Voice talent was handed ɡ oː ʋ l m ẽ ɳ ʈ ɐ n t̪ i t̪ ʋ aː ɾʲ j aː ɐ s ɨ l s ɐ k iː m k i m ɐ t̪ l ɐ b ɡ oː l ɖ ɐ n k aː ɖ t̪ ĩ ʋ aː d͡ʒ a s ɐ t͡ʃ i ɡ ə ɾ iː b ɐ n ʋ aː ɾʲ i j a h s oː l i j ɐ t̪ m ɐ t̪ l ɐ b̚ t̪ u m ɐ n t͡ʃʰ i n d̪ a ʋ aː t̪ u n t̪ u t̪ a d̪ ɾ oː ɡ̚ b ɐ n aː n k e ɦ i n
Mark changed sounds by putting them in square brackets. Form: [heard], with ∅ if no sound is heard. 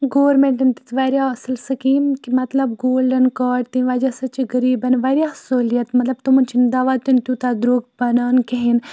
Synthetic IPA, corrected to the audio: ɡ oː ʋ [ɾ] m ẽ ɳ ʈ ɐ n t̪ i t̪ ʋ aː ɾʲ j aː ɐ s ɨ l s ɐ k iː m k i m ɐ t̪ l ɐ b ɡ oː l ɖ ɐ n k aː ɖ t̪ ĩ ʋ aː d͡ʒ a s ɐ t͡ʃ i ɡ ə ɾ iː b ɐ n ʋ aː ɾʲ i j a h s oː l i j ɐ t̪ m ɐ t̪ l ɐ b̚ t̪ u m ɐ n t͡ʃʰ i n d̪ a ʋ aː t̪ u n t̪ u t̪ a d̪ ɾ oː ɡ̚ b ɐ n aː n k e ɦ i n